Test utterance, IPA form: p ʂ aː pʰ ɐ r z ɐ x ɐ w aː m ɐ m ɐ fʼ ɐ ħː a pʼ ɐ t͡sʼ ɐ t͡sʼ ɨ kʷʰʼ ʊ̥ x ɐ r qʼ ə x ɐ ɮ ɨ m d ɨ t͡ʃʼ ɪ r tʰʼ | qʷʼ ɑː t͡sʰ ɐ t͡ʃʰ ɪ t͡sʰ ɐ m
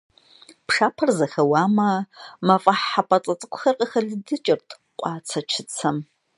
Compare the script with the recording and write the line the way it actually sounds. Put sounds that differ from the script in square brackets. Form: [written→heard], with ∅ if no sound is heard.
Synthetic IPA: p ʂ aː pʰ ɐ r z ɐ x ɐ w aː m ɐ m ɐ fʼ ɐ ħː a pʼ ɐ t͡sʼ ɐ t͡sʼ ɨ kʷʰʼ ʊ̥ x ɐ r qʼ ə x ɐ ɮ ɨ [m→∅] d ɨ t͡ʃʼ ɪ r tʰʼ | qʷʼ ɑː t͡sʰ ɐ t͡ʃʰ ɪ t͡sʰ ɐ m

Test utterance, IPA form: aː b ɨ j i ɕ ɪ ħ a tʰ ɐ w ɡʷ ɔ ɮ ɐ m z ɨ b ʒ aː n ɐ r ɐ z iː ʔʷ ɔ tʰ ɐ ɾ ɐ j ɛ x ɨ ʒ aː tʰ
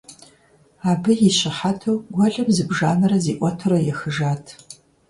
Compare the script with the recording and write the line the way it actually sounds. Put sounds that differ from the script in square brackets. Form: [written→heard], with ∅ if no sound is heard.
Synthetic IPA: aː b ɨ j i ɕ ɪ ħ a tʰ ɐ w ɡʷ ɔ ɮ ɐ m z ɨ b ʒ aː n ɐ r ɐ z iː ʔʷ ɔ tʰ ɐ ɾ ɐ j ɛ x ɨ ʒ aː tʰ

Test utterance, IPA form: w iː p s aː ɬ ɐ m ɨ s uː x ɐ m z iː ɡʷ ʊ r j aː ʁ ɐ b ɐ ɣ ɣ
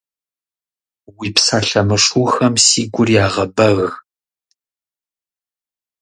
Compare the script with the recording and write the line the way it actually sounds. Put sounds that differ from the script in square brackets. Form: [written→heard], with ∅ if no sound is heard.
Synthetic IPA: w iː p s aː ɬ ɐ m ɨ [s→ʂ] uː x ɐ m [z→s] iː ɡʷ ʊ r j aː ʁ ɐ b ɐ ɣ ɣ

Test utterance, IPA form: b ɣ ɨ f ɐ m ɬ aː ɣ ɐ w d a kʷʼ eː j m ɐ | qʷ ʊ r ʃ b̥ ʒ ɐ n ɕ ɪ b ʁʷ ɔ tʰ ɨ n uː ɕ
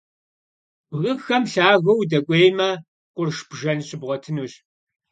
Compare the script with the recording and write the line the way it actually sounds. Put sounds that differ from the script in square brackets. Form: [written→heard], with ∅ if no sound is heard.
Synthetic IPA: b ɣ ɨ [f→x] ɐ m ɬ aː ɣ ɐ w d [a→ɐ] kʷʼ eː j m ɐ | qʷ ʊ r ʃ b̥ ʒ ɐ n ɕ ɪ b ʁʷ ɔ tʰ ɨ n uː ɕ

